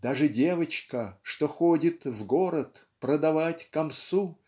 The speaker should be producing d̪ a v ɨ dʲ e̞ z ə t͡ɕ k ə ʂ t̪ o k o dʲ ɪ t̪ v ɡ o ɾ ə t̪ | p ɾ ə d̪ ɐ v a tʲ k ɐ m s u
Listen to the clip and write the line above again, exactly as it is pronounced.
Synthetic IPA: d̪ a ʐ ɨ dʲ e̞ v ə t͡ɕ k ə ʂ t̪ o x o dʲ ɪ t̪ v ɡ o ɾ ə t̪ | p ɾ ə d̪ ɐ v a tʲ k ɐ m s u